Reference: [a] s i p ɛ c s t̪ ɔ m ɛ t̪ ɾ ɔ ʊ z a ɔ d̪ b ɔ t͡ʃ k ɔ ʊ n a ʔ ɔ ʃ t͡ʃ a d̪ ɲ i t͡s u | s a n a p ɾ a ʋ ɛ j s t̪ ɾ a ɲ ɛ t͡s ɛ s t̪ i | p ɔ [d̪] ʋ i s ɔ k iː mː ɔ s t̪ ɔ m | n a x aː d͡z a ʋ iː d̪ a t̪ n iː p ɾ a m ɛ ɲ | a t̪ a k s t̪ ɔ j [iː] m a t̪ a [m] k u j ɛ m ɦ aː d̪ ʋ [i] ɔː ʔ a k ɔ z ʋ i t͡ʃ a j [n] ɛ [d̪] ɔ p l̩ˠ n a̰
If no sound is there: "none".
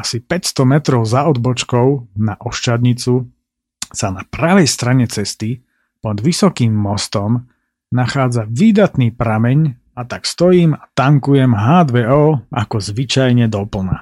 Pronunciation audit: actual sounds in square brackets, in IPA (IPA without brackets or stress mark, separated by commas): a, d̪, iː, ŋ, ɛ, ɲ, d̪